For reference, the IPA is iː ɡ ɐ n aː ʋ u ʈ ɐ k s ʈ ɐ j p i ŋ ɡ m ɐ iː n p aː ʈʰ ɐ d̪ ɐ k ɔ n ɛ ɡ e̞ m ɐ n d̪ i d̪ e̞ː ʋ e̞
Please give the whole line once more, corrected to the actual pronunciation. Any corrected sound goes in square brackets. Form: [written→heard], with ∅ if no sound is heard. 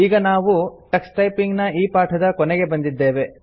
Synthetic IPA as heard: iː ɡ ɐ n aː ʋ u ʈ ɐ k s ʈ ɐ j p i ŋ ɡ [m→n] ɐ iː [n→∅] p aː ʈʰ ɐ d̪ ɐ k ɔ n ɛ ɡ e̞ [m→b] ɐ n d̪ i [d̪→d̪ː] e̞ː ʋ e̞

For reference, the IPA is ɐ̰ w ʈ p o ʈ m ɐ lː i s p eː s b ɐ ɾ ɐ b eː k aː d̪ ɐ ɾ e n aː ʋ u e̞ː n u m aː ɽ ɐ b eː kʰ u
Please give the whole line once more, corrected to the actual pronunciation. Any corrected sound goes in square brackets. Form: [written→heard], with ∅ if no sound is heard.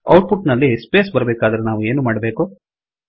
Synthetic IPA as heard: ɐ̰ w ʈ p [o→u] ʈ [m→n] ɐ lː i s p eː s b ɐ ɾ ɐ b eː k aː d̪ ɐ ɾ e n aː ʋ u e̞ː n u m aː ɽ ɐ b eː [kʰ→k] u

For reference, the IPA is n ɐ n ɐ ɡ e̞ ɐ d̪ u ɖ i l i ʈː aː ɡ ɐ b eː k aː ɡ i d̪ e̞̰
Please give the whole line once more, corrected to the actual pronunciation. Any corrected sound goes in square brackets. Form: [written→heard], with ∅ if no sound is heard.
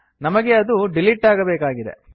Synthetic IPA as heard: n ɐ [n→m] ɐ ɡ e̞ ɐ d̪ u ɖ i l i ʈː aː ɡ ɐ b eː k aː ɡ i d̪ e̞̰

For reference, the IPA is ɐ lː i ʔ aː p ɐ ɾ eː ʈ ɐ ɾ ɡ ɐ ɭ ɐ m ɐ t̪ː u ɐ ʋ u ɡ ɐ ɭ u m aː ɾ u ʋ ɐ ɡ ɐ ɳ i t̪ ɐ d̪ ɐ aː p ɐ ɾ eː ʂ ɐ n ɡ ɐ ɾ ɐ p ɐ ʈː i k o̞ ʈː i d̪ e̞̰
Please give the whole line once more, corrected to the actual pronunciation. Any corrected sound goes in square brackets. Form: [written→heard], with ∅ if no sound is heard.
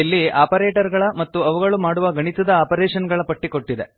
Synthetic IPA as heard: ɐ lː i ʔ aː p ɐ ɾ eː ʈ ɐ ɾ ɡ ɐ ɭ ɐ m ɐ t̪ː u ɐ ʋ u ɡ ɐ ɭ u m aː [ɾ→ɽ] u ʋ ɐ ɡ ɐ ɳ i t̪ ɐ d̪ ɐ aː p ɐ ɾ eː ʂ ɐ n ɡ ɐ [ɾ→ɭ] ɐ p ɐ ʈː i k o̞ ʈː i d̪ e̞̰

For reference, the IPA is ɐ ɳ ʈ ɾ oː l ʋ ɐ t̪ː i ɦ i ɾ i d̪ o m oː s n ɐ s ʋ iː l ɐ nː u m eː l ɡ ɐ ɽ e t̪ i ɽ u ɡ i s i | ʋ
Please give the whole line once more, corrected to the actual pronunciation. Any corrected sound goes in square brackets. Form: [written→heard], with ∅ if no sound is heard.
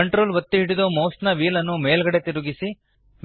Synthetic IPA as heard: ɐ ɳ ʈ ɾ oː l ʋ ɐ t̪ː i ɦ i [ɾ→ɽ] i d̪ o m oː s n ɐ [s→∅] ʋ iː l ɐ nː u m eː l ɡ ɐ ɽ e t̪ i [ɽ→ɾ] u ɡ i s i | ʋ

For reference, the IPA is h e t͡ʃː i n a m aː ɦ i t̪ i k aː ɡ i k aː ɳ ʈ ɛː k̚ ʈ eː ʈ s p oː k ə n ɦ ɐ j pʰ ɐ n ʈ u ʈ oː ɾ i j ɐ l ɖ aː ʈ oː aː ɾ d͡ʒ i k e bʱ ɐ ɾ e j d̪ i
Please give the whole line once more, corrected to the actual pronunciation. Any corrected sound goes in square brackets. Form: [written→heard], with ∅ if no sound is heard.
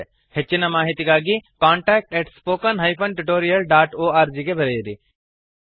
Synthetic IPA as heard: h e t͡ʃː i n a m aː ɦ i t̪ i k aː ɡ i k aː ɳ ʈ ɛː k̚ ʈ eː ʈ s p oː k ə n ɦ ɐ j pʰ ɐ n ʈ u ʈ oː ɾ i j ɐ l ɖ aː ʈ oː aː ɾ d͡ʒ i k e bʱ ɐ ɾ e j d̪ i

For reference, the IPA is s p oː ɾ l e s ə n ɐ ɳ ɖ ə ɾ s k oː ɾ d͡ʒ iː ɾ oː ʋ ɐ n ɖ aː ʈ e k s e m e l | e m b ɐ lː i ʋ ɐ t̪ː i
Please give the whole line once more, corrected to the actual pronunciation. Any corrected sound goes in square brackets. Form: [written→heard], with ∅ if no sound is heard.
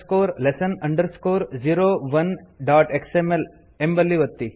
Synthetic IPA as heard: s [p→k] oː ɾ l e s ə n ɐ ɳ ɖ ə ɾ s k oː ɾ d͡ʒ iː ɾ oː ʋ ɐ n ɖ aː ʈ e k s e m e l | e m b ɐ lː i ʋ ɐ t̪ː i

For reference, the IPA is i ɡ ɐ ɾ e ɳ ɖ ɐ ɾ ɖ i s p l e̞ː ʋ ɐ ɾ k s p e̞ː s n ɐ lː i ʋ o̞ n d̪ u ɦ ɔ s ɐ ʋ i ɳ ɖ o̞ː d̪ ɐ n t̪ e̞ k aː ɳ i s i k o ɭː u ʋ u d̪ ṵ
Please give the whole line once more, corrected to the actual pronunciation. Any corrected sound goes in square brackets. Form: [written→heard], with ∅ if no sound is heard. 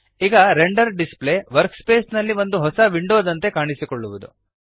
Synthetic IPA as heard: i ɡ ɐ ɾ e ɳ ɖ ɐ ɾ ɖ i s p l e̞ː ʋ ɐ ɾ k s p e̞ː s n ɐ lː i ʋ o̞ n d̪ u ɦ ɔ s ɐ ʋ i ɳ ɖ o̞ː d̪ ɐ n t̪ e̞ k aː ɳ i s i k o ɭː u ʋ u d̪ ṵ

